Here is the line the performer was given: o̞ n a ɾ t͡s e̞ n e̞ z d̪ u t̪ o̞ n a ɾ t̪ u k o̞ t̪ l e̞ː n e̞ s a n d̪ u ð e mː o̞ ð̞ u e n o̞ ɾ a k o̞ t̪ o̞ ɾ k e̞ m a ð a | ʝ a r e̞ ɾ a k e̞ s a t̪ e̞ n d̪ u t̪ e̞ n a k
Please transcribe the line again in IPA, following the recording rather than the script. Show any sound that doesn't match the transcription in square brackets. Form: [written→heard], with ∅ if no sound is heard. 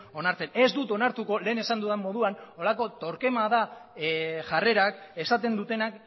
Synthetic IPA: o̞ n a ɾ t͡s e̞ n e̞ z d̪ u t̪ o̞ n a ɾ t̪ u k o̞ [t̪→∅] l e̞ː n e̞ s a n d̪ u ð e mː o̞ ð̞ u [e→a] n o̞ [ɾ→l] a k o̞ t̪ o̞ ɾ k e̞ m a ð a | ʝ a r e̞ ɾ a k e̞ s a t̪ e̞ n d̪ u t̪ e̞ n a k